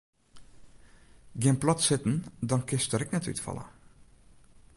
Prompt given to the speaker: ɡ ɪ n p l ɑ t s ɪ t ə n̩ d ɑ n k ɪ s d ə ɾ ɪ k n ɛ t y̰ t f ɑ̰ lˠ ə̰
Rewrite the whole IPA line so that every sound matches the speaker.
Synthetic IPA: ɡ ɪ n p l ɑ t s ɪ t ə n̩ d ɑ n k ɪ s t ə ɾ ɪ k n ɛ t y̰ t f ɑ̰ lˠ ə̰